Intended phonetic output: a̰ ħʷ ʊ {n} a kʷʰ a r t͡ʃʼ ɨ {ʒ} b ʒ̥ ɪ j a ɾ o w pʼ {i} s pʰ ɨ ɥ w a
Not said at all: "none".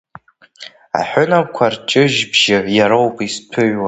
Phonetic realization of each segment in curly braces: n, ʒ, i

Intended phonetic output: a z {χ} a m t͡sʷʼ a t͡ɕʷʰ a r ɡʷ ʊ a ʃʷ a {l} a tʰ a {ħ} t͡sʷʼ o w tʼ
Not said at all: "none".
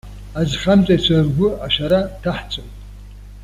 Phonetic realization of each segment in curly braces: χ, ɾ, ħ

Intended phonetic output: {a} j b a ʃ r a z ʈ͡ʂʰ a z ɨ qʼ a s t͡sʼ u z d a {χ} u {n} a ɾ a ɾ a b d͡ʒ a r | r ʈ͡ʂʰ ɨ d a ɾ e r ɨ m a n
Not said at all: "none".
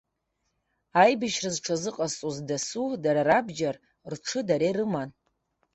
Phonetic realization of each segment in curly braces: a, s, d

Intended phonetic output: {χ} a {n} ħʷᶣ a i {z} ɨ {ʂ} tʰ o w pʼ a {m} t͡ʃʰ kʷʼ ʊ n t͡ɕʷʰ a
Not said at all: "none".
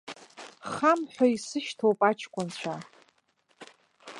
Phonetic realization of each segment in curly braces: χ, m, s, ʃ, none

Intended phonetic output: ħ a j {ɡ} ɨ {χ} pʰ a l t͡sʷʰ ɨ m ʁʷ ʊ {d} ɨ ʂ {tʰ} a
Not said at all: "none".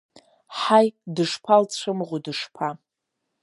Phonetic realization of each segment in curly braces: d, ʂ, d, pʰ

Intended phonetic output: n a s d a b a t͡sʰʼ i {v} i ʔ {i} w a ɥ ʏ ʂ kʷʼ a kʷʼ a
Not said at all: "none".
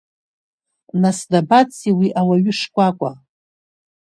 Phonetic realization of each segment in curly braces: w, a

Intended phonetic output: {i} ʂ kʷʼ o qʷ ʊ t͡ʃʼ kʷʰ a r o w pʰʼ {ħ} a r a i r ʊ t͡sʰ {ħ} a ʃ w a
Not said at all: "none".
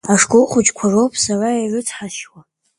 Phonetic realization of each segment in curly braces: a, s, ħ

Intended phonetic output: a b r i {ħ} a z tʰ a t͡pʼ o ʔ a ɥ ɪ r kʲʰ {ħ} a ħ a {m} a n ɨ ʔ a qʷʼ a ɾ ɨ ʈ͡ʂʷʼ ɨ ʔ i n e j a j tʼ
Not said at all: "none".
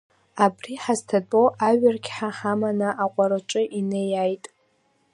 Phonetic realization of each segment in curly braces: ħ, ħ, m

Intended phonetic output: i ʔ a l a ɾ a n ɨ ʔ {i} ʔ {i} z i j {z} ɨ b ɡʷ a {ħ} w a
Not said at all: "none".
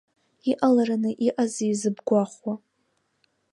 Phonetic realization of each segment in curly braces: i, a, z, χ

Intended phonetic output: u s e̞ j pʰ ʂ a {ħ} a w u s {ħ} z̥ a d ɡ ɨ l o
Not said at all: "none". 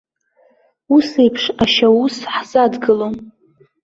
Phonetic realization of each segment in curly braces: ʃ, ħ

